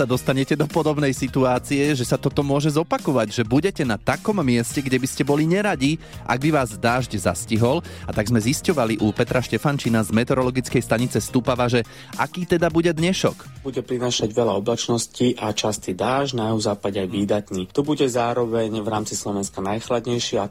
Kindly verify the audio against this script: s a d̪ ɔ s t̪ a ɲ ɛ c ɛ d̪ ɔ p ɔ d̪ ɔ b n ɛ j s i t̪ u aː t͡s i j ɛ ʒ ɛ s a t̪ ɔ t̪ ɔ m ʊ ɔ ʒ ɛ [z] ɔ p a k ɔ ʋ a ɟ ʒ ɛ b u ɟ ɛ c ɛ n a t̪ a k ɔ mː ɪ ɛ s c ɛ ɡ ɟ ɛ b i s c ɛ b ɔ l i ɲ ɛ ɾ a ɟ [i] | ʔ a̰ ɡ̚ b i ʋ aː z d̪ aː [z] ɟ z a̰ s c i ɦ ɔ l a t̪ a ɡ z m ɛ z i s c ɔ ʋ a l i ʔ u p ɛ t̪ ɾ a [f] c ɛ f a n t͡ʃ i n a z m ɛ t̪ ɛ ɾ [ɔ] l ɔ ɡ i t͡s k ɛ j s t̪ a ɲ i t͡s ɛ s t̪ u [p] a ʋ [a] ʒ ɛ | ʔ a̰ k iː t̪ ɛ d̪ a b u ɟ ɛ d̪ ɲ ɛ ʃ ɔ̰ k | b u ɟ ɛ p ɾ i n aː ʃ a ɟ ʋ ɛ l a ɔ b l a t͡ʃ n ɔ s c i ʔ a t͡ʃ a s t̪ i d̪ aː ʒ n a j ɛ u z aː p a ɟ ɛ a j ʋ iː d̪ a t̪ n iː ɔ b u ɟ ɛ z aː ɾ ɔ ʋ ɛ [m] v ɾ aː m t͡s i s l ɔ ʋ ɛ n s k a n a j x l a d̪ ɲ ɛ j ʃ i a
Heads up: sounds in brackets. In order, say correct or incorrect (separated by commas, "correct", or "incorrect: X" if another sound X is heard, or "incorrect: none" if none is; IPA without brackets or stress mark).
correct, correct, incorrect: ʒ, incorrect: ʃ, correct, correct, correct, incorrect: ɲ